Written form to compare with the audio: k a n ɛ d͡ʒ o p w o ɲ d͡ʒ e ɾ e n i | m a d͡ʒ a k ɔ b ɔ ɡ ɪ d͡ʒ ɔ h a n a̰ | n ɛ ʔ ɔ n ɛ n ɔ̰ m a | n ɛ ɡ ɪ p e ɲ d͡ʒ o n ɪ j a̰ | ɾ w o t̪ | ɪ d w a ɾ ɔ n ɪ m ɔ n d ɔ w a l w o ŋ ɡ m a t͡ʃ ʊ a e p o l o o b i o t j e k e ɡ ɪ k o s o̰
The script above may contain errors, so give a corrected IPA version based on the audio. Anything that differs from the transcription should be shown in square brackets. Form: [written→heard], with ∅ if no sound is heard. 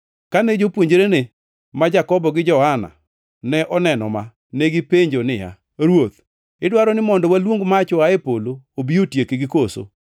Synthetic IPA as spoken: k a n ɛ d͡ʒ o p w o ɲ d͡ʒ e ɾ e n [i→e] | m a d͡ʒ a k ɔ b ɔ ɡ ɪ d͡ʒ ɔ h a n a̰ | n ɛ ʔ ɔ n ɛ n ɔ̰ m a | n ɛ ɡ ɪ p e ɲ d͡ʒ o n ɪ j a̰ | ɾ w o t̪ | ɪ d w a ɾ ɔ n ɪ m ɔ n d ɔ w a l w o ŋ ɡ m a t͡ʃ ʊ a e p o l o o b i o t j e k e ɡ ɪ k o s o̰